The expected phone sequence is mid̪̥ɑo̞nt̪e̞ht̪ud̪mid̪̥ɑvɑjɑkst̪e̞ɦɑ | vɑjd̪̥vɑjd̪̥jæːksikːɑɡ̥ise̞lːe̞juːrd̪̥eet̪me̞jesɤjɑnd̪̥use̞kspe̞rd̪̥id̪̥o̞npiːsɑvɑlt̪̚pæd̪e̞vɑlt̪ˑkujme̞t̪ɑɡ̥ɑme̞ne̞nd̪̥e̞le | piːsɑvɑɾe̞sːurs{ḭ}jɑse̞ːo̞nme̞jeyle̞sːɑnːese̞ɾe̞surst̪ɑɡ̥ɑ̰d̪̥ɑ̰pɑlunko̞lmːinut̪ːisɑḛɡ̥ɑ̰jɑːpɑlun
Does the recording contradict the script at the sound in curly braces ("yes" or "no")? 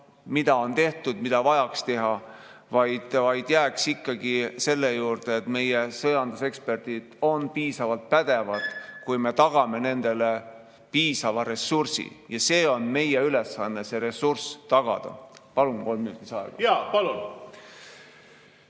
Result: no